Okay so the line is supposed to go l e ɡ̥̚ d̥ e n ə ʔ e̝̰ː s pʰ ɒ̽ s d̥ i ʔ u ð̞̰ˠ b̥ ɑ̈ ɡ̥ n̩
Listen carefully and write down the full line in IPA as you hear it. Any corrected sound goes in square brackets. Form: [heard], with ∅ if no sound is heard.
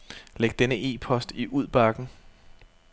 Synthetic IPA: l e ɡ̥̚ d̥ e n ə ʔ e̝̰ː [∅] pʰ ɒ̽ s d̥ i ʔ u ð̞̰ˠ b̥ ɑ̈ ɡ̥ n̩